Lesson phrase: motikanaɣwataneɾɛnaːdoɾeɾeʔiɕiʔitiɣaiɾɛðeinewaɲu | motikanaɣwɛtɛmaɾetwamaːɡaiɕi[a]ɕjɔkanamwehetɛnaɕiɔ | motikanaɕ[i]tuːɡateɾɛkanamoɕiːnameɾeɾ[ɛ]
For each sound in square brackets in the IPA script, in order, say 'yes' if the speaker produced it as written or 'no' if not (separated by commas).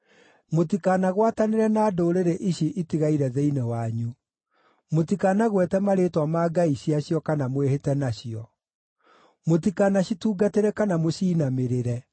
yes, yes, yes